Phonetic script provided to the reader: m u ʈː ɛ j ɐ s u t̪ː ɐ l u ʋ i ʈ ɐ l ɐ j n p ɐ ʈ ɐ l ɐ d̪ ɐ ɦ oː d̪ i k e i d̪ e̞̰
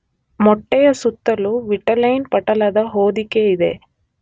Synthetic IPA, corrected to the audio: m ɔ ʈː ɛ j ɐ s u t̪ː ɐ l u ʋ i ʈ ɐ l ɐ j n p ɐ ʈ ɐ l ɐ d̪ ɐ ɦ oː d̪ i k e i d̪ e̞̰